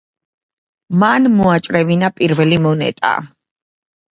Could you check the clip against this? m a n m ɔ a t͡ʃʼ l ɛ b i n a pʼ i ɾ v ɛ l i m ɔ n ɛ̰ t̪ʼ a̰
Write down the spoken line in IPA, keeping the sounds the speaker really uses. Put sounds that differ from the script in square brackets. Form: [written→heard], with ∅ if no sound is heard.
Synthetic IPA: m a n m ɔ a t͡ʃʼ [l→ɾ] ɛ [b→v] i n a pʼ i ɾ v ɛ l i m ɔ n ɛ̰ t̪ʼ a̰